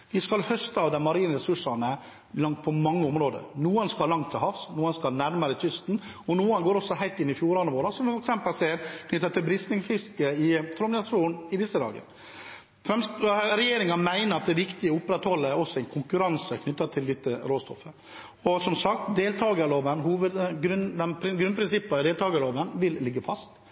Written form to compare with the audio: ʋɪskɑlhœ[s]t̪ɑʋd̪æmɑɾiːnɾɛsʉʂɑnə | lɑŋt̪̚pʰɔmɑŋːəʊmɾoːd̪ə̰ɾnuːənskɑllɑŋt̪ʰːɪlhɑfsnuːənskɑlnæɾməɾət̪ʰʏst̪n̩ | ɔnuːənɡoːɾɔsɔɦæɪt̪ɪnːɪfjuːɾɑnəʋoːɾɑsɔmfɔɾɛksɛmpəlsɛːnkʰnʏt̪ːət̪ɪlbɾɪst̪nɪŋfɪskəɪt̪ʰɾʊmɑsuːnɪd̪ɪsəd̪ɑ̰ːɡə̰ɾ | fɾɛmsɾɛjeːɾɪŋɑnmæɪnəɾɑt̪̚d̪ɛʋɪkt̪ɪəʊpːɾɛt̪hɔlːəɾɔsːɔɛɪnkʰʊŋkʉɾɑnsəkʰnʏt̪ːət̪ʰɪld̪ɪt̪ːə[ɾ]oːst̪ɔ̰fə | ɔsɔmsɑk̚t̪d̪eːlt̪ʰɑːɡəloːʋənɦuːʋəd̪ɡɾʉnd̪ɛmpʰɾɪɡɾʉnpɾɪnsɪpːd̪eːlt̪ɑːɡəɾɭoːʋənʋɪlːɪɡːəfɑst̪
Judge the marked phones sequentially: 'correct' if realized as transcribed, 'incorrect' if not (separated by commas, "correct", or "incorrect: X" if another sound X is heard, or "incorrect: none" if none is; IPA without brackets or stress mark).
correct, correct